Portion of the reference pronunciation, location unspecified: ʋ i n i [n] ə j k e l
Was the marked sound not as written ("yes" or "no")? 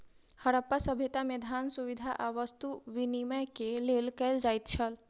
yes